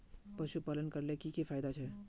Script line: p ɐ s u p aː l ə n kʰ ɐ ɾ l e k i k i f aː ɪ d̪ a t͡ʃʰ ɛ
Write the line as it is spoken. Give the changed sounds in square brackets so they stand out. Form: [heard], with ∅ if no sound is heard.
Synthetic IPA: p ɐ [ʃ] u p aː l ə n [k] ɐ ɾ l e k i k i f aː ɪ d̪ a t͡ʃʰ ɛ